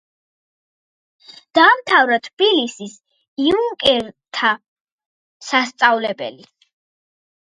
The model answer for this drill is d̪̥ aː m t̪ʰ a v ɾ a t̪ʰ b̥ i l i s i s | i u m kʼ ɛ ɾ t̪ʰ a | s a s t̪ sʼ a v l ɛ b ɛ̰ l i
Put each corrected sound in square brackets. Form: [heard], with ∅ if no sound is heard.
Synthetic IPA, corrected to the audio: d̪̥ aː m t̪ʰ a v ɾ a t̪ʰ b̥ i l i s i s | i u [ŋ] kʼ ɛ ɾ t̪ʰ a | s a s t̪ sʼ a v l ɛ b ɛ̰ l i